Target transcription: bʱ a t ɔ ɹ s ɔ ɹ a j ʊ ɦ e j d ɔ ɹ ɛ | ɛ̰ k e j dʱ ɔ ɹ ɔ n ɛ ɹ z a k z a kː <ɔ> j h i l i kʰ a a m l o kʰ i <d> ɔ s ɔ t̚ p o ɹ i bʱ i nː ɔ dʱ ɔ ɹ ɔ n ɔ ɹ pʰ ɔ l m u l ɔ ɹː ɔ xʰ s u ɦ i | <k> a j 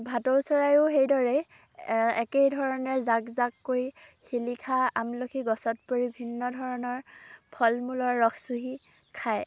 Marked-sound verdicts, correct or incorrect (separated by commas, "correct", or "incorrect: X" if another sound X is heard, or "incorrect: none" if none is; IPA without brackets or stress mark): incorrect: o, incorrect: ɡ, incorrect: kʰ